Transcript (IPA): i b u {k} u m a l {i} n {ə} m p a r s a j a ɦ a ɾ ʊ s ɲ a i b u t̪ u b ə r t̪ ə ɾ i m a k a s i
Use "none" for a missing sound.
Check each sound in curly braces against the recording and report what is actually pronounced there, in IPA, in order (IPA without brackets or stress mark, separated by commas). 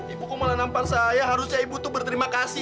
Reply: k, a, a